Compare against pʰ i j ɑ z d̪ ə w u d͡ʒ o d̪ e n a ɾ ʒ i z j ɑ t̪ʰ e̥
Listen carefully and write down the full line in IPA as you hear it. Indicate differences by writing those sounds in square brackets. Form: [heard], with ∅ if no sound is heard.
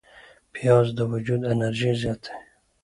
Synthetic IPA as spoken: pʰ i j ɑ z d̪ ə w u d͡ʒ [u] d̪ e n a ɾ ʒ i z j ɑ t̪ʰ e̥